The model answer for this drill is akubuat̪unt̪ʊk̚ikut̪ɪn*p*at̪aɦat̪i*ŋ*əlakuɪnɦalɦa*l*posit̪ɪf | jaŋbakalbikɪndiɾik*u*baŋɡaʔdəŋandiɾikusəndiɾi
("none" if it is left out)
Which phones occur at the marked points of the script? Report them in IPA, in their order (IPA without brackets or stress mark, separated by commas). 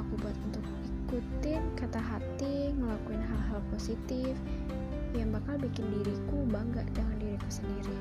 k, ŋ, l, u